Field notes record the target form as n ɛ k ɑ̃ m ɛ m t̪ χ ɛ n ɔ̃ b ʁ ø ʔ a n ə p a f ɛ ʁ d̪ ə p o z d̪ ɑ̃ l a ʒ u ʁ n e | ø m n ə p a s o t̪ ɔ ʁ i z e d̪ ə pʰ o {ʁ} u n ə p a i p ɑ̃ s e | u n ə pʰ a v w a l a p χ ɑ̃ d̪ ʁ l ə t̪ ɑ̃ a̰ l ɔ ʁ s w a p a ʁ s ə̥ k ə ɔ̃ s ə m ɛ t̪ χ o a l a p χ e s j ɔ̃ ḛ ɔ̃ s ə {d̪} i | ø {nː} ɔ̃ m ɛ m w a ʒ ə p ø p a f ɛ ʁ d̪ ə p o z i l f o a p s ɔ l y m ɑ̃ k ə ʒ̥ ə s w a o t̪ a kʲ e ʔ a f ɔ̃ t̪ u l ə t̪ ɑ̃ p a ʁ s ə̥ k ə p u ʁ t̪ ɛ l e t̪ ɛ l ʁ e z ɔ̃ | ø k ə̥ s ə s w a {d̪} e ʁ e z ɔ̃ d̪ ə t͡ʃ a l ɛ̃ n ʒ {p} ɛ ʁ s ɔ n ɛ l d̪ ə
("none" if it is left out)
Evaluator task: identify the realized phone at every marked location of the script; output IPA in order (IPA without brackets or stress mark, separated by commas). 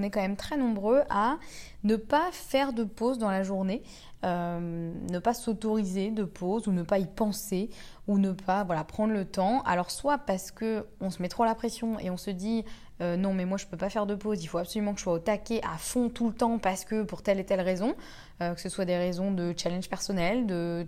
z, d̪, n, d̪, p